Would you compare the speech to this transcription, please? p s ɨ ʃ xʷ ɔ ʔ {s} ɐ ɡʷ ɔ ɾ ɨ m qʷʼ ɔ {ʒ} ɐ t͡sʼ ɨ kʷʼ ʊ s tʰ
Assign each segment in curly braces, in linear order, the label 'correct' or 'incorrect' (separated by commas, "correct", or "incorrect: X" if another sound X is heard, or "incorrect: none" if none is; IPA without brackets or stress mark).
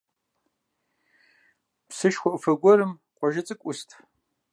incorrect: f, correct